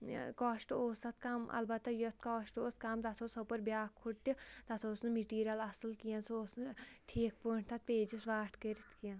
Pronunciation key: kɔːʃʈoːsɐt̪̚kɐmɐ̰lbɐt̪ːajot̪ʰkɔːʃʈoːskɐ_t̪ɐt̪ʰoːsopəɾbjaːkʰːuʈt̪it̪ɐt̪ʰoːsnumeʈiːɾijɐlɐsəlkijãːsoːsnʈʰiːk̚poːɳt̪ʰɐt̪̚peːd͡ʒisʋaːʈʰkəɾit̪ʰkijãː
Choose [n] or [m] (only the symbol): m